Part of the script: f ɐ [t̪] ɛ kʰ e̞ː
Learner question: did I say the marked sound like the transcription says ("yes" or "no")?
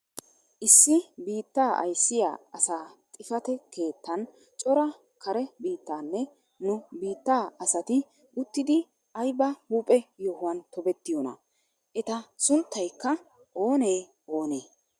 yes